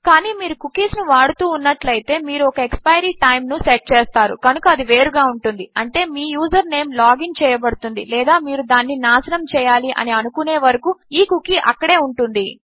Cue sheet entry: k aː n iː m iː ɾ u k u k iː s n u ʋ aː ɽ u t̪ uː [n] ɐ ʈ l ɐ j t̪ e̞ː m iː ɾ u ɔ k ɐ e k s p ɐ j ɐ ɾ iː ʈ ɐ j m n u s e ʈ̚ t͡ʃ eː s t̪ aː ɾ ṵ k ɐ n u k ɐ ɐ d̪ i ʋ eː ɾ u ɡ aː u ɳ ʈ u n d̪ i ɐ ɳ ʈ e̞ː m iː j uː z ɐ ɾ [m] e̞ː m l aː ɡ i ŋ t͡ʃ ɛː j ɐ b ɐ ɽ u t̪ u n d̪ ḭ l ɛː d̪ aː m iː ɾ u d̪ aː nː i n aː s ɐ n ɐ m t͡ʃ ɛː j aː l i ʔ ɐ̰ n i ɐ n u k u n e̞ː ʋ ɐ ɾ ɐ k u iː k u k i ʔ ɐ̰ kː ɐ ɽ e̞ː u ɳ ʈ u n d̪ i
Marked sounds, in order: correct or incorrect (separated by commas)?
incorrect, incorrect